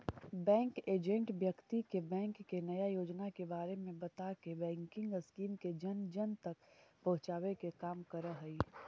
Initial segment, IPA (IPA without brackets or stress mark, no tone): b